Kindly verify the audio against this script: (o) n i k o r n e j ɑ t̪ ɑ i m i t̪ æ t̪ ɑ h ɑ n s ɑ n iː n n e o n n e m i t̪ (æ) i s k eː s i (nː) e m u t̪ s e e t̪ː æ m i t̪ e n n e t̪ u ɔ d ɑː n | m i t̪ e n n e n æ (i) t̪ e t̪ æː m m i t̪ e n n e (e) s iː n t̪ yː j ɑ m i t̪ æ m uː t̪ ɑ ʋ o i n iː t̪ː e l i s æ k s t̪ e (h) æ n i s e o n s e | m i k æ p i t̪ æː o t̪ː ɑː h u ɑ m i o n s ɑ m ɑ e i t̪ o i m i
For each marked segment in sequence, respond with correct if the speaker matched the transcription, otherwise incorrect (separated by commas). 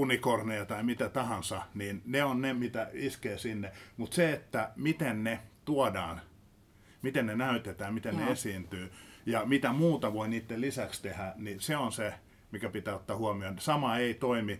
incorrect, correct, correct, incorrect, correct, correct